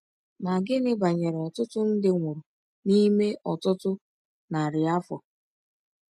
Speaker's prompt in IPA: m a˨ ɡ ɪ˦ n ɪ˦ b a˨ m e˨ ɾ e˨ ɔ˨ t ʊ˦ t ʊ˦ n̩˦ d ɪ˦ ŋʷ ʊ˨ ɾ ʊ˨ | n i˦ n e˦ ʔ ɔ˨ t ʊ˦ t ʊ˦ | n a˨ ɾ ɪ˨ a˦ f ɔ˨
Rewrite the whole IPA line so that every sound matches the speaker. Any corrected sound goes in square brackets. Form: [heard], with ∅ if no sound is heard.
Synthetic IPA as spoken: m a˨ ɡ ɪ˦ n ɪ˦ b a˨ [ɲ] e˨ ɾ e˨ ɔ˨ t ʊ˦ t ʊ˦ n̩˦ d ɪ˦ ŋʷ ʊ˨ ɾ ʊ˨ | n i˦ [m] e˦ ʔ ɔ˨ t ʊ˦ t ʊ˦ | n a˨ ɾ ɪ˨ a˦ f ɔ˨